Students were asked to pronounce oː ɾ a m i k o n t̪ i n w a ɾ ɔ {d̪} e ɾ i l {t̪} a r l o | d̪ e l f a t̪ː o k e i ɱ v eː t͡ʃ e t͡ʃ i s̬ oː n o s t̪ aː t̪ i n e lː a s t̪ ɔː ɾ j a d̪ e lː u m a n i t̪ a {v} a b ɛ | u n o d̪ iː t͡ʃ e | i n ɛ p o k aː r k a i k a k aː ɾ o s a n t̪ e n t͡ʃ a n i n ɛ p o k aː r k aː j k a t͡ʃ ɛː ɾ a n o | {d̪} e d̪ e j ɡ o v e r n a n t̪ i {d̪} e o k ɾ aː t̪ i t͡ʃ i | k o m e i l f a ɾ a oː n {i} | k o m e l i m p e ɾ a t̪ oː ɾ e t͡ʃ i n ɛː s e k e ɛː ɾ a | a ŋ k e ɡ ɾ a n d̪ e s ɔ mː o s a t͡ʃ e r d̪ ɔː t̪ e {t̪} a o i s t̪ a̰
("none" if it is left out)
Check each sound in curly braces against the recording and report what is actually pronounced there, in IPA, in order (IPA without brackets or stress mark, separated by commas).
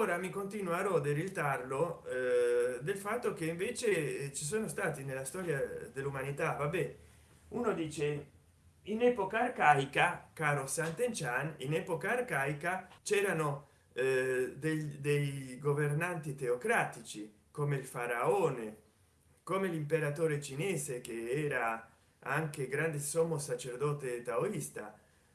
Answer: d̪, t̪, v, d̪, t̪, e, t̪